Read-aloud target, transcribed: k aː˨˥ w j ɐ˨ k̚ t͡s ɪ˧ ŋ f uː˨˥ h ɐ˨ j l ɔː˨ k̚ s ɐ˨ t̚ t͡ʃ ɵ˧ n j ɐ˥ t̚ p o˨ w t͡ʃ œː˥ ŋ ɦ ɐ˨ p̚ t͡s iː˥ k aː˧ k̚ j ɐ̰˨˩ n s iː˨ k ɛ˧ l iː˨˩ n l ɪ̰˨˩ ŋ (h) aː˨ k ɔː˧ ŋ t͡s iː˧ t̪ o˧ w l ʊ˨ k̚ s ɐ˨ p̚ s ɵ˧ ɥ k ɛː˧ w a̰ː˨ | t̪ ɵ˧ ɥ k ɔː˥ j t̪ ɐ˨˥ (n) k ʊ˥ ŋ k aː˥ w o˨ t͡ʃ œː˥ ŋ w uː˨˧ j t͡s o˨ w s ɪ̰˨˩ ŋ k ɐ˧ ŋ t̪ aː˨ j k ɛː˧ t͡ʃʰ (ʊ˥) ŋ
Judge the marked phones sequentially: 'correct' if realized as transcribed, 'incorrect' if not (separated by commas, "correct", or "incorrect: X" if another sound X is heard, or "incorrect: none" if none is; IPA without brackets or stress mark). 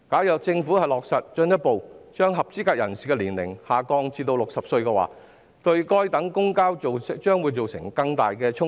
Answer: correct, incorrect: ŋ, correct